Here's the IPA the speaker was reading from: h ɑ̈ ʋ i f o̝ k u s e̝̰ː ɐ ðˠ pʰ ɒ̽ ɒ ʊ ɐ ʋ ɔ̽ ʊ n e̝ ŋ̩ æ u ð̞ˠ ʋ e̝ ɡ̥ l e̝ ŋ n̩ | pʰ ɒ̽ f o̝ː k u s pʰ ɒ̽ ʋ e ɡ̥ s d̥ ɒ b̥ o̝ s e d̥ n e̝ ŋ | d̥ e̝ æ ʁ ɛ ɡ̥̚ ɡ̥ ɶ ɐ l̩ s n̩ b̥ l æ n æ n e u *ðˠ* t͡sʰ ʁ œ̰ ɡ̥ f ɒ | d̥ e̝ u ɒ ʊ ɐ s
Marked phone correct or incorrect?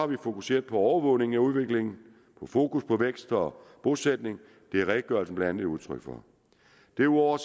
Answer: correct